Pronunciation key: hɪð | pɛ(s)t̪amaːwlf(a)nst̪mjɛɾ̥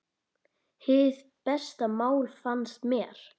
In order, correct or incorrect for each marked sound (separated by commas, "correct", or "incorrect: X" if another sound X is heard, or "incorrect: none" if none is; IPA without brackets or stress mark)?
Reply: correct, correct